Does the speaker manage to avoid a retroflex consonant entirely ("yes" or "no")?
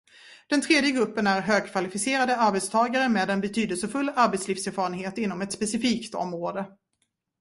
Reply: yes